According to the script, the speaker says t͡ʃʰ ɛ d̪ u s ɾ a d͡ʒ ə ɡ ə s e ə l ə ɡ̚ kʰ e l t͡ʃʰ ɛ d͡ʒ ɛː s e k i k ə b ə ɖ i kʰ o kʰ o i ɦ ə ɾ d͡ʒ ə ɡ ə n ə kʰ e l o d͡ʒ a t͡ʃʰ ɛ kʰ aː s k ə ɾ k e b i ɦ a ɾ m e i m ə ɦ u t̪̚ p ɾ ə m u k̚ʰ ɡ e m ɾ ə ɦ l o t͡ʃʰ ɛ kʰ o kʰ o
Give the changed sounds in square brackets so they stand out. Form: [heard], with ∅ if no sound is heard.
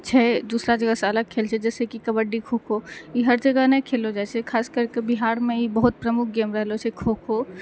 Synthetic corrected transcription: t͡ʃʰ ɛ d̪ u s ɾ a d͡ʒ ə ɡ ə s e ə l ə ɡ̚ kʰ e l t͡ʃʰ ɛ d͡ʒ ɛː s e k i k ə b ə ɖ i kʰ o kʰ o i ɦ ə ɾ d͡ʒ ə ɡ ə n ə kʰ e l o d͡ʒ a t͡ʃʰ ɛ kʰ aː s k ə ɾ k e b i ɦ a ɾ m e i [b] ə ɦ u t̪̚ p ɾ ə m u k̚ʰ ɡ e m ɾ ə ɦ l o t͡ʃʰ ɛ kʰ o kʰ o